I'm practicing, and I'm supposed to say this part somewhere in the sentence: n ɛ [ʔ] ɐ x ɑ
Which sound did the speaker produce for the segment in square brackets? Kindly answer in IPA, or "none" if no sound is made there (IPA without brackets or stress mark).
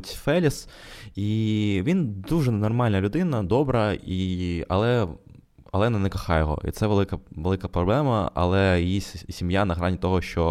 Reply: k